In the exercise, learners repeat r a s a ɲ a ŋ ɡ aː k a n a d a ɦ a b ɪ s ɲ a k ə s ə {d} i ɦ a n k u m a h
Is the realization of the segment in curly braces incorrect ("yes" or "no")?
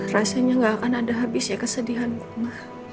no